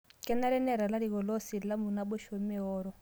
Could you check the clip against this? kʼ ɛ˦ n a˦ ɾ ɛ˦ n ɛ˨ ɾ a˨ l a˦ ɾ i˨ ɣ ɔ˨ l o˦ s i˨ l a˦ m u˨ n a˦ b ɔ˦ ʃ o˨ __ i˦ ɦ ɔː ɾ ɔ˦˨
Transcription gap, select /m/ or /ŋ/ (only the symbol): m